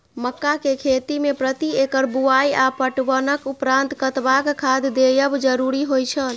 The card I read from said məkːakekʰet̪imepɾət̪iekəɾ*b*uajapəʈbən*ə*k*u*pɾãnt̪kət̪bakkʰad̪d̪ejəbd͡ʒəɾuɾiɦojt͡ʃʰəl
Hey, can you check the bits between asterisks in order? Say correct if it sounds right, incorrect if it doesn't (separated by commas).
correct, correct, correct